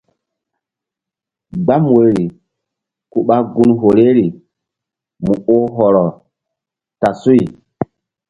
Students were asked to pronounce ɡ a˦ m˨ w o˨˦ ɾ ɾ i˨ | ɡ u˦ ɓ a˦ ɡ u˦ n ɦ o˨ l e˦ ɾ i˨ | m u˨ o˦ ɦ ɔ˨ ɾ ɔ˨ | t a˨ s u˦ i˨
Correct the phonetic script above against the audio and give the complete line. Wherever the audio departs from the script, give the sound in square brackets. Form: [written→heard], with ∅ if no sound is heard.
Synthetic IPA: [ɡ→ɡ͡b] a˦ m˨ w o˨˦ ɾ ɾ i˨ | [ɡ→k] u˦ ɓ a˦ ɡ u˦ n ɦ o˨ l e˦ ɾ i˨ | m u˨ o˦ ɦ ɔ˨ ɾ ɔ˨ | t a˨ s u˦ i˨